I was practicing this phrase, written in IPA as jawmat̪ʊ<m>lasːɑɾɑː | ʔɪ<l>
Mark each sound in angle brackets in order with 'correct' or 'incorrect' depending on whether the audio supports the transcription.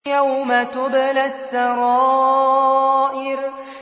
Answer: incorrect: b, incorrect: ɾ

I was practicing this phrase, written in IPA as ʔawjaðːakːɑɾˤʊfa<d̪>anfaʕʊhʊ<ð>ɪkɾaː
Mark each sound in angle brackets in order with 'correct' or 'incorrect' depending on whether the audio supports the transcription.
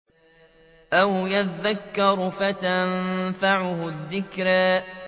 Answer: incorrect: t̪, incorrect: ðː

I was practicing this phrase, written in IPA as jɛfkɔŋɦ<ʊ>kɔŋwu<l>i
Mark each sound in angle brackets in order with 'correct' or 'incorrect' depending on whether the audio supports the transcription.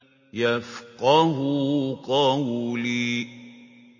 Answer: incorrect: u, correct

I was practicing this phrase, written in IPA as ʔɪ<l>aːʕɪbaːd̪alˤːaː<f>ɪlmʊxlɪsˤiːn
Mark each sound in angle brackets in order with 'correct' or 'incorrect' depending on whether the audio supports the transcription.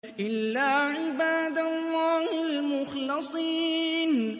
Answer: incorrect: lː, incorrect: h

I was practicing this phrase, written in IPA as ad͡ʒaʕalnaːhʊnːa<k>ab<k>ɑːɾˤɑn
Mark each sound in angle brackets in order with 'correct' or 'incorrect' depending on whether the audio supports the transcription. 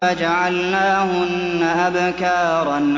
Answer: incorrect: ʔ, correct

